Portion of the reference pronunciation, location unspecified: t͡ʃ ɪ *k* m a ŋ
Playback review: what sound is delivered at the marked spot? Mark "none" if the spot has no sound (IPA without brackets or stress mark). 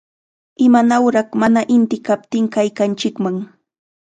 k